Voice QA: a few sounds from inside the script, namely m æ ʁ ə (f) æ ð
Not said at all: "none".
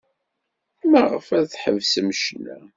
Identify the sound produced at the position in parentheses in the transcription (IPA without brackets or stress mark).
f